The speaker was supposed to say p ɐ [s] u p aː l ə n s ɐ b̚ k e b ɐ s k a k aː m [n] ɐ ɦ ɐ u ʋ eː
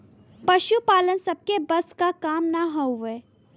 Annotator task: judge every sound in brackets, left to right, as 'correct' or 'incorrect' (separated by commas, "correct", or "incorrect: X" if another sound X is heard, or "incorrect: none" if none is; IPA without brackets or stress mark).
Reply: incorrect: ʃ, correct